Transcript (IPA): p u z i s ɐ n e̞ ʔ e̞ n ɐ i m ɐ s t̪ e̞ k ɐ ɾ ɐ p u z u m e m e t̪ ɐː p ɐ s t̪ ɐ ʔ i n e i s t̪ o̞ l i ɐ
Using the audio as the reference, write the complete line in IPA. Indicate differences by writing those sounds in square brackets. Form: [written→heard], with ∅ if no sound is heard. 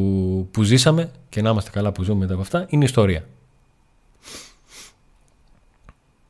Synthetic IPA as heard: p u z i s ɐ [n→m] e̞ [ʔ→c] e̞ n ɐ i m ɐ s t̪ e̞ k ɐ [ɾ→l] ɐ p u z u m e m e t̪ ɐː p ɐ [s→f] t̪ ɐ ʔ i n e i s t̪ o̞ [l→ɾ] i ɐ